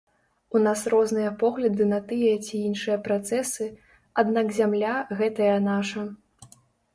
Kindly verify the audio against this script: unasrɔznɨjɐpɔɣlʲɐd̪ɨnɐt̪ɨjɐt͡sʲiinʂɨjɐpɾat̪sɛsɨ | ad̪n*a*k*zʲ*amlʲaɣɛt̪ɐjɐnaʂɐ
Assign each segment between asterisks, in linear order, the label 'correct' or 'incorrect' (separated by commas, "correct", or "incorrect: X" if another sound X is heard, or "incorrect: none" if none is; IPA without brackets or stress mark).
correct, correct